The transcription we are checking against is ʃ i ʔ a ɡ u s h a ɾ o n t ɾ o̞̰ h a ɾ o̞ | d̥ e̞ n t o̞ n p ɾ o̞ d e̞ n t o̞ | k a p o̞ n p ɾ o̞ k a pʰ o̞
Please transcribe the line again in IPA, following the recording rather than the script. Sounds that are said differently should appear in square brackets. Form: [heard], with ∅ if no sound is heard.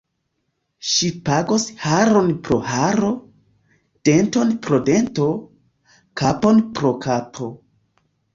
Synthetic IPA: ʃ i [p] a ɡ [o] s h a ɾ o n [p] ɾ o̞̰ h a ɾ o̞ | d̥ e̞ n t o̞ n p ɾ o̞ d e̞ n t o̞ | k a p o̞ n p ɾ o̞ k a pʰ o̞